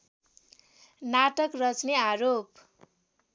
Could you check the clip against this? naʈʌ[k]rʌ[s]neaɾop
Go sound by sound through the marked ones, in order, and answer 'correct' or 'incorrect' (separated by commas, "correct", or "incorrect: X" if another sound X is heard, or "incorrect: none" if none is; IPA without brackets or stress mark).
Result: correct, incorrect: t͡s